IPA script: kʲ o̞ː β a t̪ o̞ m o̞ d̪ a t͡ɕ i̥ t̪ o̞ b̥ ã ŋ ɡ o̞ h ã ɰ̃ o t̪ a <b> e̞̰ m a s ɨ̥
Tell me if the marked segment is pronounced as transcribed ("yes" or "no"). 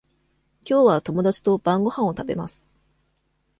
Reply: yes